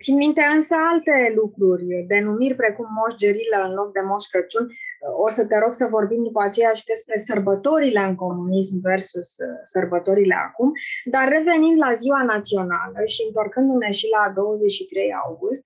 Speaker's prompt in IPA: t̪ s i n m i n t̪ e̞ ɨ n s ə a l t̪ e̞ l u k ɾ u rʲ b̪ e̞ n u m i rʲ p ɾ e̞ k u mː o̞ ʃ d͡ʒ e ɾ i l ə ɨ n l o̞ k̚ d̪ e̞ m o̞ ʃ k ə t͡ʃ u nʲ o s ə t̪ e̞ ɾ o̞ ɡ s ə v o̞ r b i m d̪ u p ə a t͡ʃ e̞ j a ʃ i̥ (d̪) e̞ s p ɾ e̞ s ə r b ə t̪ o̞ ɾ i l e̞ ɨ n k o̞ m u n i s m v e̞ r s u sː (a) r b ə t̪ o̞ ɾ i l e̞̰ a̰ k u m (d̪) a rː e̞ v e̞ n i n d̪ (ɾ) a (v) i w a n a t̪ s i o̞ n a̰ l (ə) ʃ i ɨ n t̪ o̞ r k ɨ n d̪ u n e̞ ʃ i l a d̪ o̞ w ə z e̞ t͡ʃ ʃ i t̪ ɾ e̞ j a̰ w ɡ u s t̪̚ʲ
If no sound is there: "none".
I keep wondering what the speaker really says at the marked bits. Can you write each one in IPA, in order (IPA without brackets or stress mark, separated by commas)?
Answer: d̪, ə, d̪, l, z, ə